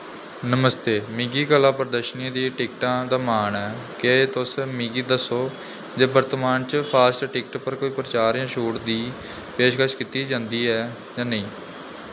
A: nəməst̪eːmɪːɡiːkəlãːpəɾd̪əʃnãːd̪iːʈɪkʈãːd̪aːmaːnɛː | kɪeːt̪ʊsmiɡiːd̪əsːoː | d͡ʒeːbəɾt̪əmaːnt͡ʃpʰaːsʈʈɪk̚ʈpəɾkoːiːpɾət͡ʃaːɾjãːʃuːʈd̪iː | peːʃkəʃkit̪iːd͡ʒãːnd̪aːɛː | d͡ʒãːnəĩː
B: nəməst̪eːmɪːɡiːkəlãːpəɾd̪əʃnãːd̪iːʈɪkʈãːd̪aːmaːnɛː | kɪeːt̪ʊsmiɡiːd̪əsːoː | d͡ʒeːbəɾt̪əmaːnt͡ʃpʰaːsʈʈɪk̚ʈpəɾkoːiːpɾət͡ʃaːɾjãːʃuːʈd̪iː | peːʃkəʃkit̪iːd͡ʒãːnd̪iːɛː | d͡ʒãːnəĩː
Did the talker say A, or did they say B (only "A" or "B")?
B